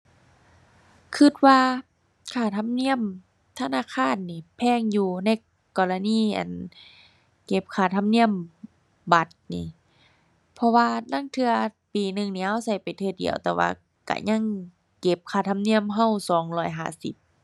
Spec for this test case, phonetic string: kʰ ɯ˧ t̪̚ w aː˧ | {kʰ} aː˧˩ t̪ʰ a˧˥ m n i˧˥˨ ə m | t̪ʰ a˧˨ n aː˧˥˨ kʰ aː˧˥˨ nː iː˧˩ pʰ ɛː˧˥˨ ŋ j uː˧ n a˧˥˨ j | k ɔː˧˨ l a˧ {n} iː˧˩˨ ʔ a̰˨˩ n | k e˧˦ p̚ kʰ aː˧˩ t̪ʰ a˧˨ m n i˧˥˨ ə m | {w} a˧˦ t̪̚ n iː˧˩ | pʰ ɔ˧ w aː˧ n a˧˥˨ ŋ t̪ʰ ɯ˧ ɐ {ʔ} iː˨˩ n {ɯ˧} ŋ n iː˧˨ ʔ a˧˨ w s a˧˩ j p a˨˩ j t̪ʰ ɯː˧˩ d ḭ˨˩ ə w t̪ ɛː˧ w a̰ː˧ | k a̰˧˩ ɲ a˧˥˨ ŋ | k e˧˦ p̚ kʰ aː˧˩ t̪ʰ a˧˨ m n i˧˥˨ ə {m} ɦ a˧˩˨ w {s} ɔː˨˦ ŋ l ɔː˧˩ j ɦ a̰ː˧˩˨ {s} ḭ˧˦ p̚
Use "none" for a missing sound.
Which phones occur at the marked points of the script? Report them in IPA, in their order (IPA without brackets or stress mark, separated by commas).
kʰ, n, b, p, ɯ˧, m, s, s